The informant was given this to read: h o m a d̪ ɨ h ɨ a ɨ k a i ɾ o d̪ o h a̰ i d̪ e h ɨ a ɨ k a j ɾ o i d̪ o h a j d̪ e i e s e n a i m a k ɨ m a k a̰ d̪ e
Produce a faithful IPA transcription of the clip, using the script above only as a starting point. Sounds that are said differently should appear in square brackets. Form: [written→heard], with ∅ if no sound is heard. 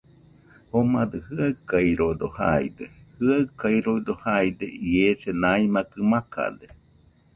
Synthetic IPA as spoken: h o m a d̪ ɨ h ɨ a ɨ k a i ɾ o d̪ o h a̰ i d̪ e h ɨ a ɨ k a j ɾ o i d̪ o h a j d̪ e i e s e n a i m a k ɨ m a k a̰ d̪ e